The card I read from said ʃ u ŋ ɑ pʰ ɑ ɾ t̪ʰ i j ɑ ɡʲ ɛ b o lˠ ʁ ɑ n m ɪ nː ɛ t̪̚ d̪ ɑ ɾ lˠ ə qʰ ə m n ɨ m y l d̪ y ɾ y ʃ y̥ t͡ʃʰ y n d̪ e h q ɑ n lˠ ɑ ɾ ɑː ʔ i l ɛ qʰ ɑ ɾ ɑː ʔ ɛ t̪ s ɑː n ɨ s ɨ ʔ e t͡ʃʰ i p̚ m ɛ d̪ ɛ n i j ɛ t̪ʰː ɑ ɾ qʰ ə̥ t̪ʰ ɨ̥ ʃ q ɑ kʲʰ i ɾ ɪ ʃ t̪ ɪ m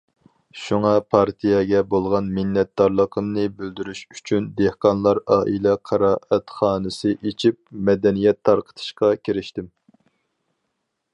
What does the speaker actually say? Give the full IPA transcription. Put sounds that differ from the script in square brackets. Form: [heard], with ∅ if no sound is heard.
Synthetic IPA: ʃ u ŋ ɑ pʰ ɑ ɾ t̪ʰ i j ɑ ɡʲ ɛ b o lˠ ʁ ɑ n m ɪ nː ɛ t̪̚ d̪ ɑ ɾ lˠ ə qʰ ə m n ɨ [b] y l d̪ y ɾ y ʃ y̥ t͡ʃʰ y n d̪ e h q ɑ n lˠ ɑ ɾ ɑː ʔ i l ɛ qʰ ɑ ɾ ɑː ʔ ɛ t̪ [χ] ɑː n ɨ s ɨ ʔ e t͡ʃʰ i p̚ m ɛ d̪ ɛ n i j ɛ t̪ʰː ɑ ɾ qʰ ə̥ t̪ʰ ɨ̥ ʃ q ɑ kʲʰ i ɾ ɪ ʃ t̪ ɪ m